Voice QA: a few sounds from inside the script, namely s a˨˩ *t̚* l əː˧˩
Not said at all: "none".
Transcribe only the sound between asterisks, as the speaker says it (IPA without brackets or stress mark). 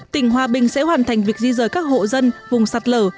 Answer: t̚